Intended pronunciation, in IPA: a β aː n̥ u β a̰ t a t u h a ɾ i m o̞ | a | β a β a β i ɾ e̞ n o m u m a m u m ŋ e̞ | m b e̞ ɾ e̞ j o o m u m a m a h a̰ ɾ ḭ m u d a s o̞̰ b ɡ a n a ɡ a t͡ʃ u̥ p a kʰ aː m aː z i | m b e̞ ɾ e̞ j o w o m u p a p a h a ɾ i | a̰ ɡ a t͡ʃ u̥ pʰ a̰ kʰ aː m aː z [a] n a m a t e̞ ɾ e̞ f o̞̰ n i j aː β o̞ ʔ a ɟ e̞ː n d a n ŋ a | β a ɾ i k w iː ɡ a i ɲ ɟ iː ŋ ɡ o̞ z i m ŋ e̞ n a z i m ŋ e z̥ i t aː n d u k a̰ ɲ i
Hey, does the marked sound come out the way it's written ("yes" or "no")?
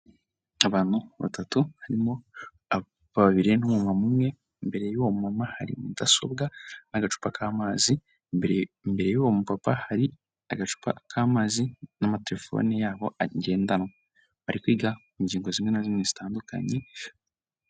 no